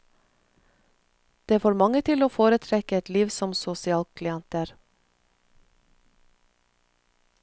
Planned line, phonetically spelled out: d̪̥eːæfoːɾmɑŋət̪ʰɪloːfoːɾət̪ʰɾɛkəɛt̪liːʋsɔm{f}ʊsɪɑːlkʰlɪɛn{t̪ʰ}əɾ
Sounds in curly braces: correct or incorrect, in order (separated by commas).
incorrect, incorrect